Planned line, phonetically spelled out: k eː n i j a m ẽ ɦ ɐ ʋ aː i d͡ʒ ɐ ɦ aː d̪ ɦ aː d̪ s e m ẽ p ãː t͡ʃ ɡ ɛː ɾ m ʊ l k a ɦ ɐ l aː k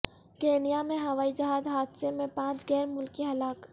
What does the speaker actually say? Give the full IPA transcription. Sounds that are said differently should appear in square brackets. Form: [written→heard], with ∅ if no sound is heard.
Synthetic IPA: k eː n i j a m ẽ ɦ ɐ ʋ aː i d͡ʒ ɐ ɦ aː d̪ ɦ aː d̪ s e m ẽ p ãː t͡ʃ ɡ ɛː ɾ m ʊ l k [a→i] ɦ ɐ l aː k

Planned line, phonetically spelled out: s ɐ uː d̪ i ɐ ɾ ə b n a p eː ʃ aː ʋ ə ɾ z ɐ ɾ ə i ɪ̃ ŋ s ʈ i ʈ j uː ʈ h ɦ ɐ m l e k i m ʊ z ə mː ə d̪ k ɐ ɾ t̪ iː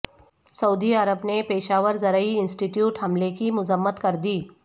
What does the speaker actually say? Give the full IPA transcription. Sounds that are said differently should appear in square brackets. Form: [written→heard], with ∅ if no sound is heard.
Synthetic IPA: s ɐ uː d̪ i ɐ ɾ ə b n [a→e] p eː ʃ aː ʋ ə ɾ z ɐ ɾ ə i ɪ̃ [ŋ→n] s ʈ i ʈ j uː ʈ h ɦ ɐ m l e k i m ʊ z ə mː ə [d̪→t̪] k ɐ ɾ [t̪→d̪] iː

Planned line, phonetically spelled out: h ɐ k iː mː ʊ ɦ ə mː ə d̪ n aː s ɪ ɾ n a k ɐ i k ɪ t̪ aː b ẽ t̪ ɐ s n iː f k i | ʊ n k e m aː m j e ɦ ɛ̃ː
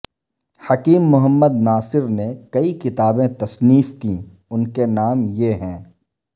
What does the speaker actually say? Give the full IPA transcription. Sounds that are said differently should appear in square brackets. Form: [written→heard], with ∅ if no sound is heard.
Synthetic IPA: h ɐ k iː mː ʊ ɦ ə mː ə d̪ n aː s ɪ ɾ n [a→e] k ɐ i k ɪ t̪ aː b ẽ t̪ ɐ s n iː f k i | ʊ n k e [m→n] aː m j e ɦ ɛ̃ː

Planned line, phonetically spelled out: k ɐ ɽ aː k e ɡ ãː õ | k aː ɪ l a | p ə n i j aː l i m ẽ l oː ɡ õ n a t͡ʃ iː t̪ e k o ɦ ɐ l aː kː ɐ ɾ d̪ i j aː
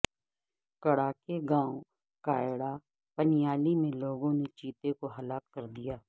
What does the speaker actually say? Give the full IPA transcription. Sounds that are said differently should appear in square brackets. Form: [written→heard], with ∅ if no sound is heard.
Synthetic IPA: k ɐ ɽ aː k e ɡ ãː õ | k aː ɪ [l→ɽ] a | p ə n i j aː l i m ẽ l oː ɡ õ n [a→e] t͡ʃ iː t̪ e k o ɦ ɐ l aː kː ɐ ɾ d̪ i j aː

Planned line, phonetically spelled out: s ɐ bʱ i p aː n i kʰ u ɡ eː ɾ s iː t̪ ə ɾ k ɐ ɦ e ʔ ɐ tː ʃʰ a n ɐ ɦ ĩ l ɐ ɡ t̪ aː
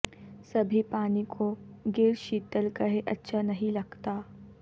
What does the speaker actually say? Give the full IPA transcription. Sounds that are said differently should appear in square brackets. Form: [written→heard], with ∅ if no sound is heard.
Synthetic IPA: s ɐ bʱ i p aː n i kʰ [u→o] ɡ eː ɾ [s→ʃ] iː t̪ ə [ɾ→l] k ɐ ɦ e ʔ ɐ tː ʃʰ a n ɐ ɦ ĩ l ɐ ɡ t̪ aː

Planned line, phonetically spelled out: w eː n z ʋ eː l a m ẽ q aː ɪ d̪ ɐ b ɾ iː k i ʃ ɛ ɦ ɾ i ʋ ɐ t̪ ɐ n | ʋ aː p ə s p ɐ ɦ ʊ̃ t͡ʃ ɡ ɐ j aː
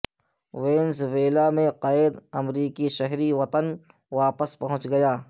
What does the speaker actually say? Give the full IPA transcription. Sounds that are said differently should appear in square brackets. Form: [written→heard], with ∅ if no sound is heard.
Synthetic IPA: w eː n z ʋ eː l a m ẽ q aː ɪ d̪ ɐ [b→m] ɾ iː k i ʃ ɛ ɦ ɾ i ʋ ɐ t̪ [ɐ→ə] n | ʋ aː p ə s p ɐ ɦ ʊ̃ t͡ʃ ɡ ɐ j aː

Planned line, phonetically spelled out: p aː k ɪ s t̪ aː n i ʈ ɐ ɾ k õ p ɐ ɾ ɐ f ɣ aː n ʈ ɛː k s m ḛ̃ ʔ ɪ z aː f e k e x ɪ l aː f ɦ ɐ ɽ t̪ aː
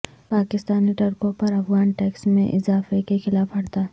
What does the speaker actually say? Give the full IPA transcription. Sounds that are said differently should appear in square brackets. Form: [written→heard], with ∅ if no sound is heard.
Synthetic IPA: p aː k ɪ s t̪ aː n i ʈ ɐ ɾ k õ p ɐ ɾ ɐ f ɣ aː n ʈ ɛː k s m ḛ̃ ʔ ɪ z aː f e k e x ɪ l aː f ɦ ɐ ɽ t̪ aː

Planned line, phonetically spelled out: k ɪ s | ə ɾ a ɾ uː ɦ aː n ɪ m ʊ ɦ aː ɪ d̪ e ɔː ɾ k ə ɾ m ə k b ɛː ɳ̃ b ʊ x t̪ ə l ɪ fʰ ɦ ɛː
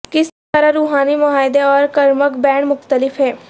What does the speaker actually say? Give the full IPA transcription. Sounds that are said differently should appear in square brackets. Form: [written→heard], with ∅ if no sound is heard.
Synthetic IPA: k ɪ s | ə ɾ a ɾ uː ɦ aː n [ɪ→i] m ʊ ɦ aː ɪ d̪ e ɔː ɾ k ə ɾ m ə k b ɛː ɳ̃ [b→m] ʊ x t̪ ə l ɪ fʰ ɦ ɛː

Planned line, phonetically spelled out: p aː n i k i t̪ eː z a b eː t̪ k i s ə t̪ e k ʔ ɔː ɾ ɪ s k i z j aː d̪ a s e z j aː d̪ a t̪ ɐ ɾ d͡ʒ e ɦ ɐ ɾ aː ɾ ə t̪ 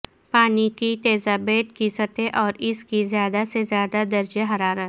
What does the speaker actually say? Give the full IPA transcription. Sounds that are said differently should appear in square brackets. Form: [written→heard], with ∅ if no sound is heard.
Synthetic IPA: p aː n i k i t̪ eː z a b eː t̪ k i s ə t̪ e [k→∅] ʔ ɔː ɾ ɪ s k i z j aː d̪ a s e z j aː d̪ a [t̪→d̪] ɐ ɾ d͡ʒ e ɦ ɐ ɾ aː ɾ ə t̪

